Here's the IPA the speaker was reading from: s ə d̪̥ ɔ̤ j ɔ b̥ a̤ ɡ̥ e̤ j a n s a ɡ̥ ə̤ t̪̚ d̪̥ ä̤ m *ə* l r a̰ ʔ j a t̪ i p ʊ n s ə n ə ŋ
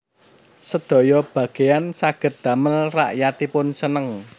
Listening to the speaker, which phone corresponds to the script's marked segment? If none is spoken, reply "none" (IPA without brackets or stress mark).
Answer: ə